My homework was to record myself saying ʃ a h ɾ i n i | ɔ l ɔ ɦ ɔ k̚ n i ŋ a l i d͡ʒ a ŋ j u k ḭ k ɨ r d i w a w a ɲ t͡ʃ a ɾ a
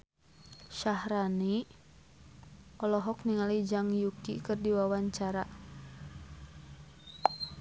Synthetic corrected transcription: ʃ a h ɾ a n i | ɔ l ɔ ɦ ɔ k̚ n i ŋ a l i d͡ʒ a ŋ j u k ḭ k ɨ r d i w a w a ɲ t͡ʃ a ɾ a